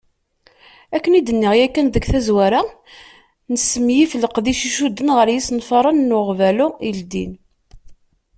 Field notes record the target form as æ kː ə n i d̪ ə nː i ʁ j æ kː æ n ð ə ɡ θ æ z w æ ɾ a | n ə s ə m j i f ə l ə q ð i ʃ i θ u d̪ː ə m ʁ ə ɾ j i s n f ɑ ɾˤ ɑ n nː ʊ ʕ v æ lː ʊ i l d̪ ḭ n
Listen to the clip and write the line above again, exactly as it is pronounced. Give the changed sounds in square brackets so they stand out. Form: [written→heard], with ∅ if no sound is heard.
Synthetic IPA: æ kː ə n i d̪ ə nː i ʁ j æ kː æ n ð ə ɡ θ æ z w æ ɾ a | n ə s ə m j i f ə l ə q ð i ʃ i [θ→ʃ] u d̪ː ə [m→n] ʁ ə ɾ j i s n f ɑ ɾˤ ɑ n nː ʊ [ʕ→ʁ] v æ [lː→l] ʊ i l d̪ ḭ n